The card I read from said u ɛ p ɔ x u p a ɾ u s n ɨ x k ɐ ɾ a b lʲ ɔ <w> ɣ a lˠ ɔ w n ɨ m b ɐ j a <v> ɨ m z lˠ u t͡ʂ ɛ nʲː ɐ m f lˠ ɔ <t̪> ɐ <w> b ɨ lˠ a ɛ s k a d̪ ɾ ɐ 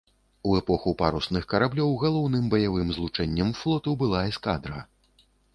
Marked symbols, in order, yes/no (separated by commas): yes, yes, yes, yes